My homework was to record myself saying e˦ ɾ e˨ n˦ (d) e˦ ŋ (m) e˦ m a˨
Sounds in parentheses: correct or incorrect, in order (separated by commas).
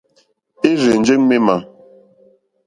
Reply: incorrect, correct